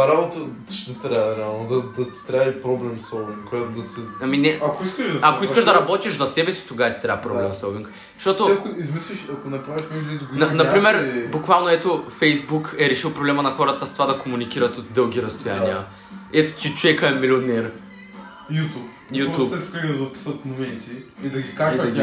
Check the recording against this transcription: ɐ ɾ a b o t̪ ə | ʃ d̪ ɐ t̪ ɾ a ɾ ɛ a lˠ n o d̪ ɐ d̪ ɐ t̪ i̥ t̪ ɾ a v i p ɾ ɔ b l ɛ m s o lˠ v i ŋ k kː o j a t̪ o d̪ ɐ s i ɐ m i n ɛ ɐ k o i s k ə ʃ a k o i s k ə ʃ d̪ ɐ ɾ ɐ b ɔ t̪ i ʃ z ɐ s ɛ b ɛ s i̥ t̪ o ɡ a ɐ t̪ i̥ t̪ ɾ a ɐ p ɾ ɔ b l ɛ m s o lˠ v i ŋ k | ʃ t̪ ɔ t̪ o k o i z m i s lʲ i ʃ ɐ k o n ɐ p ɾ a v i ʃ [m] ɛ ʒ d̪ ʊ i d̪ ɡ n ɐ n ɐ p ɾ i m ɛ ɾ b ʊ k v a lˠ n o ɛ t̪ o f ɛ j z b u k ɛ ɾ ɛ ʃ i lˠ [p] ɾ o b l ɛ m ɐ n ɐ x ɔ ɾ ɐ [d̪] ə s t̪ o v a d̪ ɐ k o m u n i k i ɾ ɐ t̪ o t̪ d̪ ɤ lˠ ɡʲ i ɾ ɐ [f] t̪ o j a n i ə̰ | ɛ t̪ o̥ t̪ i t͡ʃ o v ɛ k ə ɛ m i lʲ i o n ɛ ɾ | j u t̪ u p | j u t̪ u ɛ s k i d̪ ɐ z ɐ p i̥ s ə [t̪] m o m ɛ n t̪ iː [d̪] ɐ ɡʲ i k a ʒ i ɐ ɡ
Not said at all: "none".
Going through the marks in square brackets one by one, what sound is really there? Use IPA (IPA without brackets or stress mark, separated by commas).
m, p, t̪, s, t̪, d̪